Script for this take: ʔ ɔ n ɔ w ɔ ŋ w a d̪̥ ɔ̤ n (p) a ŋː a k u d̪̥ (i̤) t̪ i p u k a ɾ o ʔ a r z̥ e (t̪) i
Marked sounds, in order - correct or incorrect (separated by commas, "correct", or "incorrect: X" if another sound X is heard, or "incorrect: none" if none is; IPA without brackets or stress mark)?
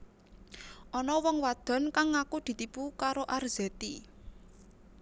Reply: incorrect: k, correct, correct